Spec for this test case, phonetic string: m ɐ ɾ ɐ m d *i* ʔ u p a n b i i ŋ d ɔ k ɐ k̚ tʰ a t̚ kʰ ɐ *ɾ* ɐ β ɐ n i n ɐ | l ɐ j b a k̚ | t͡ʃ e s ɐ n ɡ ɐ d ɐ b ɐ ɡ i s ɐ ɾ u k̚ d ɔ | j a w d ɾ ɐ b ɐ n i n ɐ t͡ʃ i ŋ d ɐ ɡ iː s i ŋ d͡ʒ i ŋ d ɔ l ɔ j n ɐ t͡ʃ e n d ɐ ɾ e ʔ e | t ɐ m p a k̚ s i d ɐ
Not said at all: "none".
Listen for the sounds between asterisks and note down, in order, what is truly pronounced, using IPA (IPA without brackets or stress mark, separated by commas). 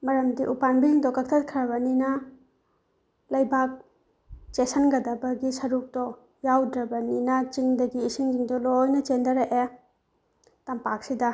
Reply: i, ɾ